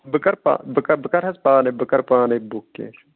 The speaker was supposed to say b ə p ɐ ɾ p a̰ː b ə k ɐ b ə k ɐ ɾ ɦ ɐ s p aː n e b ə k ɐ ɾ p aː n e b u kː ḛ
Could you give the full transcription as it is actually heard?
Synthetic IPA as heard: b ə k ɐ ɾ p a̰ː b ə k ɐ b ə k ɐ ɾ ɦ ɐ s p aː n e b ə k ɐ ɾ p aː n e b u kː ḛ